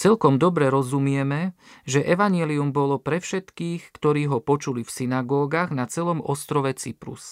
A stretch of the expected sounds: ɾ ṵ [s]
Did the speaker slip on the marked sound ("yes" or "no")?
no